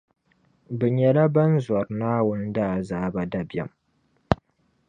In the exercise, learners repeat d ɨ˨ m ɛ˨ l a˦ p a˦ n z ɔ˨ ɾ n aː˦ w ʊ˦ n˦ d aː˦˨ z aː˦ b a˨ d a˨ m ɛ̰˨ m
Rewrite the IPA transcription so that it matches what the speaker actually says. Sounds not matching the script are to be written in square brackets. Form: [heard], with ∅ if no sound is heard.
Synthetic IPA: [b] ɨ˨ [ɲ] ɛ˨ l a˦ [b] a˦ n z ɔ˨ ɾ n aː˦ w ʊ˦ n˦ d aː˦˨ z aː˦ b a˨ d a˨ [b] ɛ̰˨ m